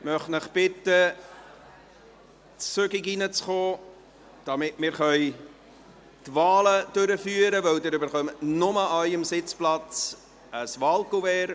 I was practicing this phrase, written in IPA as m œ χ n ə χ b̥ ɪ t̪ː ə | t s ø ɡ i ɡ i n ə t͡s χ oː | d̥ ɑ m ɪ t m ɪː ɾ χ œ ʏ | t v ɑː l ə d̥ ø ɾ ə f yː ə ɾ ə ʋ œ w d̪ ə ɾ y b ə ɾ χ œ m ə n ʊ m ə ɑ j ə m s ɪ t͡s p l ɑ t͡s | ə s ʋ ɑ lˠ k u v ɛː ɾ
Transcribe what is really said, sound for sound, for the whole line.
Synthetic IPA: m œ χ n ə χ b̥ ɪ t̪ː ə | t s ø ɡ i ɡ i n ə t͡s χ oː | d̥ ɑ m ɪ t m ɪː ɾ χ œ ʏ | t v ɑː l ə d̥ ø ɾ ə f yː ə ɾ ə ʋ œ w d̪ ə ɾ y b ə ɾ χ œ m ə n ʊ m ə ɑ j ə m s ɪ t͡s p l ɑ t͡s | ə s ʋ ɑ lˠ k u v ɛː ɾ